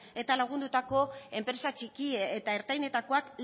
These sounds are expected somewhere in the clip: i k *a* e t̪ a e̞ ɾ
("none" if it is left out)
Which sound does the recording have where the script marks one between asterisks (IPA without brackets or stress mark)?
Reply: i